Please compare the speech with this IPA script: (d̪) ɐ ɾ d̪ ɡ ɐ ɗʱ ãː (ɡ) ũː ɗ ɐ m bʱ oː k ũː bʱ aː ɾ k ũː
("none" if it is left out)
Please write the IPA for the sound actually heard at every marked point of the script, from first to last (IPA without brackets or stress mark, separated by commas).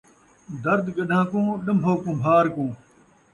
d̪, k